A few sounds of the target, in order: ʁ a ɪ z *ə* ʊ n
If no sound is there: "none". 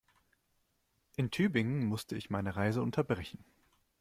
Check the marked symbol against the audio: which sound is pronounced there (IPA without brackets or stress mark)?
ə